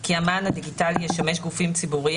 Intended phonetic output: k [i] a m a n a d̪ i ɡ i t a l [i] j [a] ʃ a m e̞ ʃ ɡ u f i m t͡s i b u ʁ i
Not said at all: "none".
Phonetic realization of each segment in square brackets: i, i, e

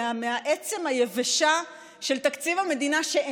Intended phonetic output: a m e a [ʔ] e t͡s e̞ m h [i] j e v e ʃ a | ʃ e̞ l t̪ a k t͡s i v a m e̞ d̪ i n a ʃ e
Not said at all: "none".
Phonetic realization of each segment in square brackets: ʔ, a

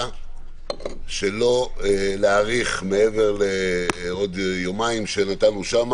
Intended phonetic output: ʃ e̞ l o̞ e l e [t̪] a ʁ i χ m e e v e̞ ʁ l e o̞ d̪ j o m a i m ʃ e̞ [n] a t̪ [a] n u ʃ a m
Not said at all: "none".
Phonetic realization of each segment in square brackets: none, n, a

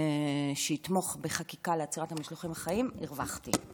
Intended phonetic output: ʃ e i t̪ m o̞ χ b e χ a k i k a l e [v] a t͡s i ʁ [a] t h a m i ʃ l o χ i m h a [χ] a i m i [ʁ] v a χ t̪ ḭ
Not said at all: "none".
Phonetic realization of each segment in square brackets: none, a, χ, ʁ

